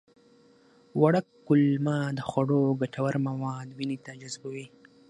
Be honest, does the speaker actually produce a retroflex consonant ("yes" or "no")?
yes